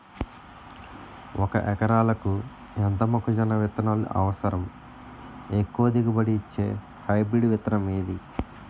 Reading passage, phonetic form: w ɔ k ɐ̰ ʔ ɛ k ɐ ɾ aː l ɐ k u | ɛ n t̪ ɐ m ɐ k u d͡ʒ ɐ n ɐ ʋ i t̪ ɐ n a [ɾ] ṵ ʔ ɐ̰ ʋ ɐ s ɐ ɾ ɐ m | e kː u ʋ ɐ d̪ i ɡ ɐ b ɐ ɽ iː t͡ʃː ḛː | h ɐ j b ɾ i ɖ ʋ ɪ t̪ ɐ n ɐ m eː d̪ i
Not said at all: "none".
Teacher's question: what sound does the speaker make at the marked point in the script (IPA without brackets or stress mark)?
l